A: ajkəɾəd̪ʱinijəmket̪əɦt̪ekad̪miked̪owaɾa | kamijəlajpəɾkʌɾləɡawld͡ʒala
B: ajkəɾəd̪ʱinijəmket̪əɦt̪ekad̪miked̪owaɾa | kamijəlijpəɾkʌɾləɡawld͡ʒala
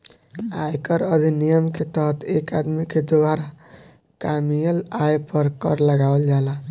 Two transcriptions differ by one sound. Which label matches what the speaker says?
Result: A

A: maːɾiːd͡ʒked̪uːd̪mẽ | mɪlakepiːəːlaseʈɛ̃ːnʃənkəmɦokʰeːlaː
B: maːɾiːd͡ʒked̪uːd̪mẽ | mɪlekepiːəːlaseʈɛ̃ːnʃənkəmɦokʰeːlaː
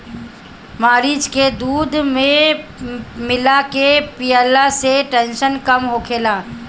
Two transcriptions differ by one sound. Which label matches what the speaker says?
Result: A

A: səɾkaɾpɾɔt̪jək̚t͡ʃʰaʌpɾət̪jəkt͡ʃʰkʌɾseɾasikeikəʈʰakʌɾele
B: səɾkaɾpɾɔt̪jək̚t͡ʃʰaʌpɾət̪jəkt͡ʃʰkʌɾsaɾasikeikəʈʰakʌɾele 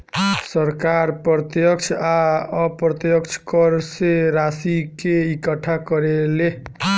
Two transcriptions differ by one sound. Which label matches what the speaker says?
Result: A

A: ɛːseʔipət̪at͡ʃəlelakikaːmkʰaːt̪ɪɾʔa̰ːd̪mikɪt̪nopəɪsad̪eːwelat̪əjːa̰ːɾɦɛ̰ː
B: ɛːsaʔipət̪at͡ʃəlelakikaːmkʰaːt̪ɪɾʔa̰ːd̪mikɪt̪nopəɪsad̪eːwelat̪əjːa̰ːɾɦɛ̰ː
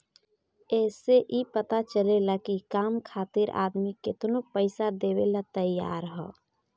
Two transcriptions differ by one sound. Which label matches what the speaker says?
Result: A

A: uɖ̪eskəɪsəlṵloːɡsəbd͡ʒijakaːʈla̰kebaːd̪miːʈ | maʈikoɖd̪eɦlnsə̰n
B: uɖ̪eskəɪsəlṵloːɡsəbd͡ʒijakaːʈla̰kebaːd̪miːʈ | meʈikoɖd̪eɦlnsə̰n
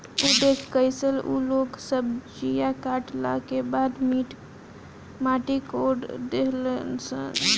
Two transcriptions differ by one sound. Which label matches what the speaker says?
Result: A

